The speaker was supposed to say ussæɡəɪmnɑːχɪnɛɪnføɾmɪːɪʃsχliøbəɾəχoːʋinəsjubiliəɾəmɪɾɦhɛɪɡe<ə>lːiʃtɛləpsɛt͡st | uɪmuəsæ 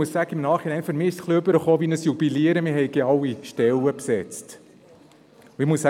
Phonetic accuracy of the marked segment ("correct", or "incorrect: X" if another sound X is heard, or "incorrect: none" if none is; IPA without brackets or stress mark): incorrect: ɑ